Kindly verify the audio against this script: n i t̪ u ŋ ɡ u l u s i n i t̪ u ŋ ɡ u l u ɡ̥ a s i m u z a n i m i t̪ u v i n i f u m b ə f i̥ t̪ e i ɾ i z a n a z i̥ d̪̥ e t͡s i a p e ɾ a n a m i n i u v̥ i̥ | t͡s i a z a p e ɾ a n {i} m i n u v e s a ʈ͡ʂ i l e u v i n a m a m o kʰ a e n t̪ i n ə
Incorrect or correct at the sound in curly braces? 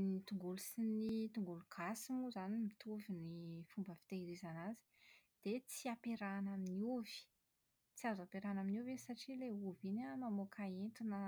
incorrect: a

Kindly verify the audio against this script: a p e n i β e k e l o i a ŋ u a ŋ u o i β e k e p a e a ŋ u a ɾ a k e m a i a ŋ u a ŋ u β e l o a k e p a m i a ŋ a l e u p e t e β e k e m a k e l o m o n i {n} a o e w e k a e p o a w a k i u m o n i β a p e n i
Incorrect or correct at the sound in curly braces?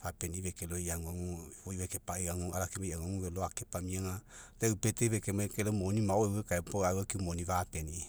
incorrect: m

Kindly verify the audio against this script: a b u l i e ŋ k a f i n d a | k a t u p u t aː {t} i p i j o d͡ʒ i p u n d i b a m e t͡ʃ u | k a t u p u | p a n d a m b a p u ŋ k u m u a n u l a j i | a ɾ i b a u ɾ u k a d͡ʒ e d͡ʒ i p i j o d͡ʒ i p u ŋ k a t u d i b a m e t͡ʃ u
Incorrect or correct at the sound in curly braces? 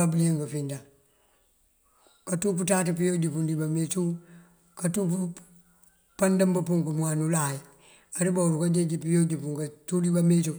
correct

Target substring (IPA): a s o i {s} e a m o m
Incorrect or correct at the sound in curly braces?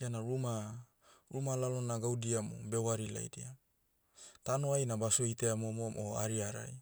incorrect: t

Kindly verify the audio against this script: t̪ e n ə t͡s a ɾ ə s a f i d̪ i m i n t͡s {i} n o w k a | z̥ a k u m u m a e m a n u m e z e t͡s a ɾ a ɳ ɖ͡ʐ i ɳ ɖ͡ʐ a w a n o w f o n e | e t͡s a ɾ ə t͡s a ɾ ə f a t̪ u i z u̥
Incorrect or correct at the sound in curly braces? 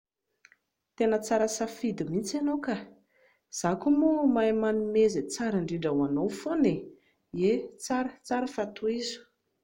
incorrect: a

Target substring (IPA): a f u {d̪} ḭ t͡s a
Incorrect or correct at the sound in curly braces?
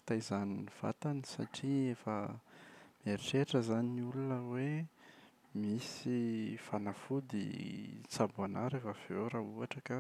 correct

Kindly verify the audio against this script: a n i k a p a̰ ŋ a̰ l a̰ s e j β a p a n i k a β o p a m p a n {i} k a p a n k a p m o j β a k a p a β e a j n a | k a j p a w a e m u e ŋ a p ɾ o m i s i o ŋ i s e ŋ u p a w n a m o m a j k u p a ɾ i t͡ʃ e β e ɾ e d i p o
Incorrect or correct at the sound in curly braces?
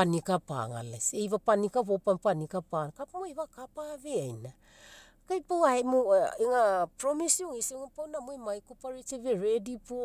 correct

